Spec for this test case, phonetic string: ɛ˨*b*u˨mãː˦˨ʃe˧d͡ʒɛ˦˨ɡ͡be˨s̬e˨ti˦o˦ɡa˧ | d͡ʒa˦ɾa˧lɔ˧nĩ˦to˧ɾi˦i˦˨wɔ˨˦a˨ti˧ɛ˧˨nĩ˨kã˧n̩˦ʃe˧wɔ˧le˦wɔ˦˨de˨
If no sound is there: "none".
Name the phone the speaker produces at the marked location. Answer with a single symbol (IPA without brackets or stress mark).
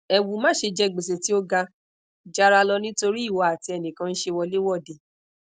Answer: w